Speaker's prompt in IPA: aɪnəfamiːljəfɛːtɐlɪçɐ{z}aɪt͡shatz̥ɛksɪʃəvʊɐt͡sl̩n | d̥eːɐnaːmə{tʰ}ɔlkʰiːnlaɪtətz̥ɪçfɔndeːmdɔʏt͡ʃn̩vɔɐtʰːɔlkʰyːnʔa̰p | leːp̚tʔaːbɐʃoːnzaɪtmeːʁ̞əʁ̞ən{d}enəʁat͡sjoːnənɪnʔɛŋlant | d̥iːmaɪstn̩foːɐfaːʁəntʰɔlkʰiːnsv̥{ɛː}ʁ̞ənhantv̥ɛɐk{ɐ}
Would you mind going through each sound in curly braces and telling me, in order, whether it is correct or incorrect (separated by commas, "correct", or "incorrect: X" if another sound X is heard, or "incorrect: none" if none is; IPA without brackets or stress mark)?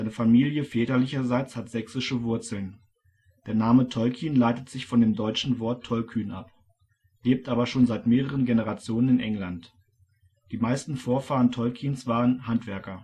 correct, correct, incorrect: ɡ, incorrect: aː, correct